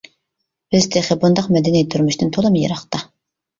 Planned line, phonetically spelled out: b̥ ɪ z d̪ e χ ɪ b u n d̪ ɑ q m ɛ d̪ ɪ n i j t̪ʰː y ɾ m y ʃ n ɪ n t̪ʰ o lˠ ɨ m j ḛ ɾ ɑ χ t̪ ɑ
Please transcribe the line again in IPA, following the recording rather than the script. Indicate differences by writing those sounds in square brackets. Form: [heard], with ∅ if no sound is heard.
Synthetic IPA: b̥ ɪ z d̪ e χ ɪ b u n d̪ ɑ q m ɛ d̪ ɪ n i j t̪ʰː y ɾ m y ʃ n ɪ n t̪ʰ o lˠ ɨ m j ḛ ɾ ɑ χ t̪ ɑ

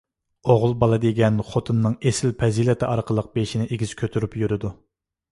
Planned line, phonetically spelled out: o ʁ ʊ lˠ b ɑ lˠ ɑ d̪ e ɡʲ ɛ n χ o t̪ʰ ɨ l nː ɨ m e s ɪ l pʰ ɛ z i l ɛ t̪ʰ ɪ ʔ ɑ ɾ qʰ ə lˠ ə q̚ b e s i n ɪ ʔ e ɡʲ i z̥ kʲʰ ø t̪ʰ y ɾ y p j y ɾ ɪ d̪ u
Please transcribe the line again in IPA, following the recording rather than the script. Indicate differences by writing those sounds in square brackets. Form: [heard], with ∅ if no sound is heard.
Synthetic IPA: o ʁ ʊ lˠ b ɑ lˠ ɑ d̪ e ɡʲ ɛ n χ o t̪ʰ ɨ [∅] nː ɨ [ŋ] e s ɪ l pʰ ɛ z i l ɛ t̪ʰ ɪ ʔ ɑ ɾ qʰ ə lˠ ə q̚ b e [ʃ] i n ɪ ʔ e ɡʲ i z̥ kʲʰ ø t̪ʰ y ɾ y p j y ɾ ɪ d̪ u

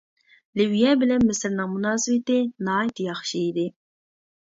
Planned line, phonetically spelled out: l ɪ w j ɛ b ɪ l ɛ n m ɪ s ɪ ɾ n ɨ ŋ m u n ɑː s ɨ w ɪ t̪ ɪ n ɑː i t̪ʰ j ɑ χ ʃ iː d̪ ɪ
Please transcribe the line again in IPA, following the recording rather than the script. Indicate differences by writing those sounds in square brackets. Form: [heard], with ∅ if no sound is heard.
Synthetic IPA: l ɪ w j ɛ b ɪ l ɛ n m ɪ s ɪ ɾ n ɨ ŋ m u n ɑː s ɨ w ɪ t̪ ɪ n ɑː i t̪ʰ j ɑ χ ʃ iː d̪ ɪ

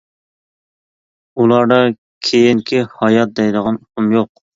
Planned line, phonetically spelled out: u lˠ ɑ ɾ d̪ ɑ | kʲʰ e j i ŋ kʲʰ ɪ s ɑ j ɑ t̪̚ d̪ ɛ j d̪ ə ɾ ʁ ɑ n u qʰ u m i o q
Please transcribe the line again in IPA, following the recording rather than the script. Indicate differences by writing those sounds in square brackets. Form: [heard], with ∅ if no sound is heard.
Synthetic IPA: u lˠ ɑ ɾ d̪ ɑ | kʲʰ e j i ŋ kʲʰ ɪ [h] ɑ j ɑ t̪̚ d̪ ɛ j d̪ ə [∅] ʁ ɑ n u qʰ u m [j] o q

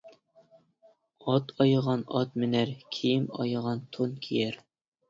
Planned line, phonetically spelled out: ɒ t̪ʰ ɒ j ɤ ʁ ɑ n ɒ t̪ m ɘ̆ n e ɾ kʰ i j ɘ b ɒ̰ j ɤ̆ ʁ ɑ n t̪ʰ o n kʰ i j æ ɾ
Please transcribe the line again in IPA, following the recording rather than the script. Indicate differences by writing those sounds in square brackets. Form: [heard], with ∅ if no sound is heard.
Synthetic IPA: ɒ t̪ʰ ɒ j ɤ ʁ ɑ n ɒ t̪ m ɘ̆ n [æ] ɾ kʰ i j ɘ [m] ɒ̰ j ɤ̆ ʁ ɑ n t̪ʰ o n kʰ i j æ ɾ

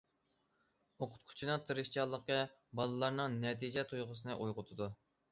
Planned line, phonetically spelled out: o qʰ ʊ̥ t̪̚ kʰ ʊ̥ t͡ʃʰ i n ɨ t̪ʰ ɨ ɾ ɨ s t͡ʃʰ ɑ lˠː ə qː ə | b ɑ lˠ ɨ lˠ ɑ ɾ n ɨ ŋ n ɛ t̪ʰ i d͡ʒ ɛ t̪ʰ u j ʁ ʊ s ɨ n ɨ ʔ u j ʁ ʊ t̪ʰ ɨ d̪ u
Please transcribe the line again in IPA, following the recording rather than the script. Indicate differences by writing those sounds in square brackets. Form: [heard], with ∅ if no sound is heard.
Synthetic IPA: o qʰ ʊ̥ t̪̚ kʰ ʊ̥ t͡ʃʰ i n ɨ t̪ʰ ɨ ɾ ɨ [ʃ] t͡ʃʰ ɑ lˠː ə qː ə | b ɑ lˠ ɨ lˠ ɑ ɾ n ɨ ŋ n ɛ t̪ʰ i d͡ʒ ɛ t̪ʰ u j ʁ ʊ s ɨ n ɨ ʔ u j ʁ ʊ t̪ʰ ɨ d̪ u

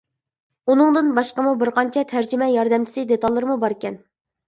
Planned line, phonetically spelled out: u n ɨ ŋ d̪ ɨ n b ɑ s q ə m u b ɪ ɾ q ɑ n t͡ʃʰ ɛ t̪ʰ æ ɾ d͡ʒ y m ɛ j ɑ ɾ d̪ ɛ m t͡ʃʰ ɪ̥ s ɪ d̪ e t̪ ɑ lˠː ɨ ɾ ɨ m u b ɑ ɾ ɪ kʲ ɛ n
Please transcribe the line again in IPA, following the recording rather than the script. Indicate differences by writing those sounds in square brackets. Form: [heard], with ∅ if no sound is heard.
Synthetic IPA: u n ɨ ŋ d̪ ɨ n b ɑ [ʃ] q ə m u b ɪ ɾ q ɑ n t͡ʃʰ ɛ t̪ʰ æ ɾ d͡ʒ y m ɛ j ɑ ɾ d̪ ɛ m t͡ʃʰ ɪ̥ s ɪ d̪ e t̪ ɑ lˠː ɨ ɾ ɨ m u b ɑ ɾ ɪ kʲ ɛ n

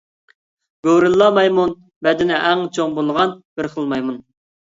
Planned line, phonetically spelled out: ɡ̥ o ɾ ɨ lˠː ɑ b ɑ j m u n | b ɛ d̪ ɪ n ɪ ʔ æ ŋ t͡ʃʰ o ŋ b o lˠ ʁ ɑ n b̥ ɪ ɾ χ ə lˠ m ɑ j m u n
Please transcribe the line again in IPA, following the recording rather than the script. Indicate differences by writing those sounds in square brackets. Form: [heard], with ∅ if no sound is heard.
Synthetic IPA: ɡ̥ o ɾ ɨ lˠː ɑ [m] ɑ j m u n | b ɛ d̪ ɪ n ɪ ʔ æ ŋ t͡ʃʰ o ŋ b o lˠ ʁ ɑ n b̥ ɪ ɾ χ ə lˠ m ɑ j m u n

